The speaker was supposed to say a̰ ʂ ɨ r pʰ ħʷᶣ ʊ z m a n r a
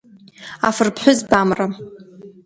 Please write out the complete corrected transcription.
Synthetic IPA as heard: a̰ f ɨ r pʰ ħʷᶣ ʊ z b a m r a